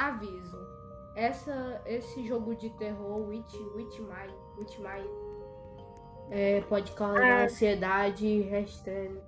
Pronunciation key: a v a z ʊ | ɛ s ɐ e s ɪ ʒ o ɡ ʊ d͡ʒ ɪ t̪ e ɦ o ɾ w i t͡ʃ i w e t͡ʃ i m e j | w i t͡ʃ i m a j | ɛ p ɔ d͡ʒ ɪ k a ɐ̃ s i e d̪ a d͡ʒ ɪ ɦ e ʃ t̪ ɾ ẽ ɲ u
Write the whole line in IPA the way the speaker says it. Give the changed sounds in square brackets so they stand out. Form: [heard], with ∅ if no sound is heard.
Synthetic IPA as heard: a v [i] z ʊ | ɛ s ɐ e s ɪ ʒ o ɡ ʊ d͡ʒ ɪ t̪ e ɦ o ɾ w i t͡ʃ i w [i] t͡ʃ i m [a] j | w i t͡ʃ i m a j | ɛ p ɔ d͡ʒ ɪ k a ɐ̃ s i e d̪ a d͡ʒ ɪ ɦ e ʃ t̪ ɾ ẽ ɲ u